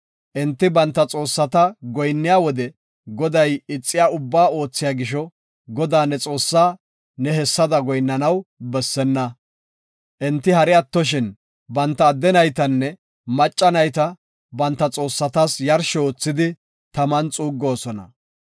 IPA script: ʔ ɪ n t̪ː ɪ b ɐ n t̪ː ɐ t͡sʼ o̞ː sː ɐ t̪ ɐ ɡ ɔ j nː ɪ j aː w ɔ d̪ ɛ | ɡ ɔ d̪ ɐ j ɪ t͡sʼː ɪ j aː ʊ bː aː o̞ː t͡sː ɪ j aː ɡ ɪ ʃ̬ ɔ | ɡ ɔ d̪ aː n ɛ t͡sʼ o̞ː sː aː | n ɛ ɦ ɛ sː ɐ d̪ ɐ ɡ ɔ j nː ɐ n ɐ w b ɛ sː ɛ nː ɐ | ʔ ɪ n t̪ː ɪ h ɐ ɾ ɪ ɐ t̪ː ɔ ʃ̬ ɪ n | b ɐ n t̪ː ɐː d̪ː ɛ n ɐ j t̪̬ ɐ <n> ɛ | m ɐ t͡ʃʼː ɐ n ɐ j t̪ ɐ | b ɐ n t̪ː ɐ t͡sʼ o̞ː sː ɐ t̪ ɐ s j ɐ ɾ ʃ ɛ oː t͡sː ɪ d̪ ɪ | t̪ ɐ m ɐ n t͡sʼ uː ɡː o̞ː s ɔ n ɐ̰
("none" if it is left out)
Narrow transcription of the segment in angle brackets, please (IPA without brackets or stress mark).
nː